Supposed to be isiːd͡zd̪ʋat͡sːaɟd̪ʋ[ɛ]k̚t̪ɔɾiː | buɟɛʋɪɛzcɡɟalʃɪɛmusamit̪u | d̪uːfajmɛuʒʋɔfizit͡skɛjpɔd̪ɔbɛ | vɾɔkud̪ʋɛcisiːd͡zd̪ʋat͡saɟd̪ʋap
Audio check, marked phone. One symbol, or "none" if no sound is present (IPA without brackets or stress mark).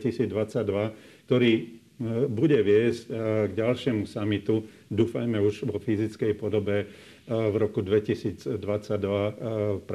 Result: a